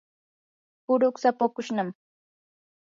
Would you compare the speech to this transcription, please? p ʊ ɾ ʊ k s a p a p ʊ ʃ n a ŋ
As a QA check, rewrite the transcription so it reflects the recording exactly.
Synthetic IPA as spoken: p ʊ ɾ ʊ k s a p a k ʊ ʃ n a m